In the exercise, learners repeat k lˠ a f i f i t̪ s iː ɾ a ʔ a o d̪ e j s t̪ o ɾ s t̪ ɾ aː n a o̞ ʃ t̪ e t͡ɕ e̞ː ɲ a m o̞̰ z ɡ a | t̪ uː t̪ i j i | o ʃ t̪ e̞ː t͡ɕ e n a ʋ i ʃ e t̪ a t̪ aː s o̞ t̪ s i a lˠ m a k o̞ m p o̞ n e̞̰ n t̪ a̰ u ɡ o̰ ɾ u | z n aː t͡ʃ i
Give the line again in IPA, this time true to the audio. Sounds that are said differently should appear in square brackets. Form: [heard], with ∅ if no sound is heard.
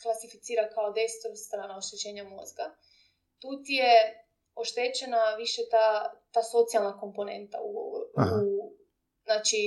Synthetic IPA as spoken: k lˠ a [s] i f i t̪ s iː ɾ a [k] a o d̪ e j s t̪ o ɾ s t̪ ɾ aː n a o̞ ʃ t̪ e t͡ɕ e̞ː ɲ a m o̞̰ z ɡ a | t̪ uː t̪ i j [e] | o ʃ t̪ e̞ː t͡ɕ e n a ʋ i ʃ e t̪ a t̪ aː s o̞ t̪ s i a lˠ [n] a k o̞ m p o̞ n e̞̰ n t̪ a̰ u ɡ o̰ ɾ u | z n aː t͡ʃ i